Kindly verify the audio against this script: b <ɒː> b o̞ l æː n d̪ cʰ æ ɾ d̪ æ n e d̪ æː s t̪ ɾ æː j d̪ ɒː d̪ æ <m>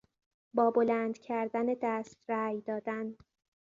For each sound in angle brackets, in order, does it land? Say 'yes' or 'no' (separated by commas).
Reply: yes, no